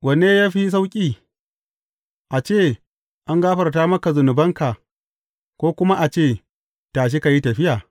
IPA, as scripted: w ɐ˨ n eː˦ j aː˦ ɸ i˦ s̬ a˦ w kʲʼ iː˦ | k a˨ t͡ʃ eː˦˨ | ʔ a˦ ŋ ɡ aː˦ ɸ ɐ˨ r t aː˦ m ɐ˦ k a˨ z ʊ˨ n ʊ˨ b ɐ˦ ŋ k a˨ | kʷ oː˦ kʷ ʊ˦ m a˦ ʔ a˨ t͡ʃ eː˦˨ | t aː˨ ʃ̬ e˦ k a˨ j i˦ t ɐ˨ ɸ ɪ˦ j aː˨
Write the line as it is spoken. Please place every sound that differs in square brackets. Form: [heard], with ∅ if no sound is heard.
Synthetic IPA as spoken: w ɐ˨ n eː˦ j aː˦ ɸ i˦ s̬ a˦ w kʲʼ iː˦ | [ʔ] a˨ t͡ʃ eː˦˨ | ʔ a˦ ŋ ɡ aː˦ ɸ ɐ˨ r t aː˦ m ɐ˦ k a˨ z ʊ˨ n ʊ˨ b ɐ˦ ŋ k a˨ | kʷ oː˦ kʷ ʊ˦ m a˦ ʔ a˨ t͡ʃ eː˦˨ | t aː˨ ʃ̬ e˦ k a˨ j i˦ t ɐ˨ ɸ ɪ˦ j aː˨

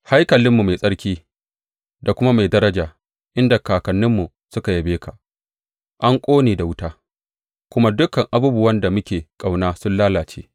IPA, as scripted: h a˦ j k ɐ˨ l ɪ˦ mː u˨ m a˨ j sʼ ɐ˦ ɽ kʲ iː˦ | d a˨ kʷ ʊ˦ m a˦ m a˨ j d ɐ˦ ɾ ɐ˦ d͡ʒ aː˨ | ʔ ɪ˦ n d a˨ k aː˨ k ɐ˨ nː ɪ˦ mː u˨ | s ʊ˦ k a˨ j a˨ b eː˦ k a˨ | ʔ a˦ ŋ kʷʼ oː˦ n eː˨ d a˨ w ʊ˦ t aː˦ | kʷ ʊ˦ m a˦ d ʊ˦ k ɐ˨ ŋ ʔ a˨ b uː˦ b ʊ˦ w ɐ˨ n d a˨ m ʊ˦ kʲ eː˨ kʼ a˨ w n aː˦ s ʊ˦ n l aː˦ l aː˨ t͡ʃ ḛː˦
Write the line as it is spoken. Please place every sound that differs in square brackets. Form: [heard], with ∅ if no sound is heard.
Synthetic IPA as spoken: h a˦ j k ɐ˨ l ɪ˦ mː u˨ m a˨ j sʼ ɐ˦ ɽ kʲ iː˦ | d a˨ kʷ ʊ˦ m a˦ m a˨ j d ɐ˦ ɾ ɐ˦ d͡ʒ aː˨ | ʔ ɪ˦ n d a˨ k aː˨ k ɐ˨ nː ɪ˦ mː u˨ | s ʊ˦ k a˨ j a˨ b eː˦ k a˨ | ʔ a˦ ŋ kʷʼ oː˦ n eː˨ d a˨ w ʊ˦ t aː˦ | kʷ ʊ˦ m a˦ d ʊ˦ k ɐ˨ ŋ ʔ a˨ b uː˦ b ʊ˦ w [ɐ˦] n d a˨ m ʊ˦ kʲ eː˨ kʼ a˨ w n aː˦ s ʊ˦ n l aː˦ l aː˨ t͡ʃ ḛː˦

